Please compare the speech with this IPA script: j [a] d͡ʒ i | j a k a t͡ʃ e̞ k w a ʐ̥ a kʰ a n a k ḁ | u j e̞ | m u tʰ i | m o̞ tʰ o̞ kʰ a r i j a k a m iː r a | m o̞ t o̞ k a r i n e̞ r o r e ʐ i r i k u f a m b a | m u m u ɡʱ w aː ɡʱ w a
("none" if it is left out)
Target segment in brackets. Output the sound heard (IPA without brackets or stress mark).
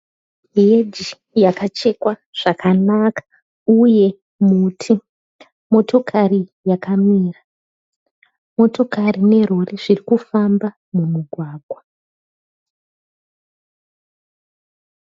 e